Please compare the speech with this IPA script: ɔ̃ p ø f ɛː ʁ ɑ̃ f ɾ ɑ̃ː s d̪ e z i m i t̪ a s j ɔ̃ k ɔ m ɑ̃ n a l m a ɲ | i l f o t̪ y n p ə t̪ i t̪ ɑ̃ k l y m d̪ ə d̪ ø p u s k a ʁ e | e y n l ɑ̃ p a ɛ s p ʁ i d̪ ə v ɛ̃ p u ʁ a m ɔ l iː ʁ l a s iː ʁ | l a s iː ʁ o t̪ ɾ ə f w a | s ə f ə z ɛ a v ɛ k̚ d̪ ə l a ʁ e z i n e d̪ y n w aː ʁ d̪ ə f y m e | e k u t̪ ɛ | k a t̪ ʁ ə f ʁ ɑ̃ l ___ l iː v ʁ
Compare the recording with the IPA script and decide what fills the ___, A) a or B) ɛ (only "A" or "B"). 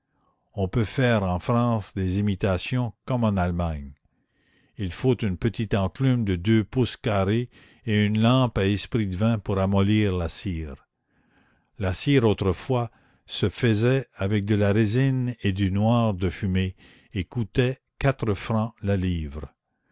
A